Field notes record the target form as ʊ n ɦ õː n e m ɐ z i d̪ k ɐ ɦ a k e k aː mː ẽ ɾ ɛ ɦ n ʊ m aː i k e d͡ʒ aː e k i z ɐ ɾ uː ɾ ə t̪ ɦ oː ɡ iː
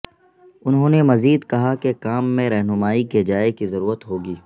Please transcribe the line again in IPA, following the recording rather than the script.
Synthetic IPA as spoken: ʊ n ɦ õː n e m ɐ z iː d̪ k ɐ ɦ a k e k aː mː ẽ ɾ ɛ ɦ n ʊ m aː i k e d͡ʒ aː e k i z ɐ ɾ uː ɾ ə t̪ ɦ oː ɡ iː